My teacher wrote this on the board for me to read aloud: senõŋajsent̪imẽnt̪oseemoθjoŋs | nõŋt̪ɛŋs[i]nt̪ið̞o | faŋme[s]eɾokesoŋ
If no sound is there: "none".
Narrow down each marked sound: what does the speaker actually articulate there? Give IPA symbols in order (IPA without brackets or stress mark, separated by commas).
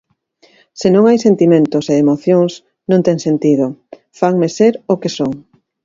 e, s